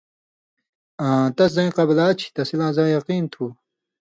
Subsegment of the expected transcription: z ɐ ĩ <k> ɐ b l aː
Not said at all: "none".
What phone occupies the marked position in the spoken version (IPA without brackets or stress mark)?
q